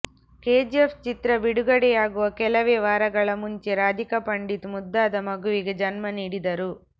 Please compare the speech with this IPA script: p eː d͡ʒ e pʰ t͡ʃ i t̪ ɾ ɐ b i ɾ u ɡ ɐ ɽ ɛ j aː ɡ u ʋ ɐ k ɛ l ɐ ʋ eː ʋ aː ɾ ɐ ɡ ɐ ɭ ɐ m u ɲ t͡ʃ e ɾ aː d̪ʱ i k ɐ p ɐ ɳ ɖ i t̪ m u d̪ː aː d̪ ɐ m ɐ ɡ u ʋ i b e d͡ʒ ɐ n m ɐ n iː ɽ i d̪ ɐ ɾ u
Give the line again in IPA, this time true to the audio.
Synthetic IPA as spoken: k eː d͡ʒ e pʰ t͡ʃ i t̪ ɾ ɐ b i ɽ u ɡ ɐ ɽ ɛ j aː ɡ u ʋ ɐ k ɛ l ɐ ʋ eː ʋ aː ɾ ɐ ɡ ɐ ɭ ɐ m u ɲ t͡ʃ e ɾ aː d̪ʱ i k ɐ p ɐ ɳ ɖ i t̪ m u d̪ː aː d̪ ɐ m ɐ ɡ u ʋ i ɡ e d͡ʒ ɐ n m ɐ n iː ɽ i d̪ ɐ ɾ u